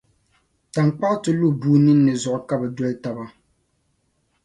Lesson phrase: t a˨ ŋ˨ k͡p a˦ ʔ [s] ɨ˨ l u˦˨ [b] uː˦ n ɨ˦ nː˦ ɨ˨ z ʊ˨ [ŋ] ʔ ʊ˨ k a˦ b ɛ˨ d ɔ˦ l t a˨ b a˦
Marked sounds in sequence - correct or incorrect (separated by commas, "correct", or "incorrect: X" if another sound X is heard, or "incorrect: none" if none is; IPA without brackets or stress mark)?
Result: incorrect: t, correct, incorrect: none